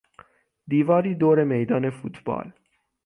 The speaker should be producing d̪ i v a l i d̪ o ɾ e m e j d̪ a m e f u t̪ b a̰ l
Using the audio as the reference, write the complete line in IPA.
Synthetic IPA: d̪ i v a ɾ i d̪ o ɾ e m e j d̪ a n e f u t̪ b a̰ l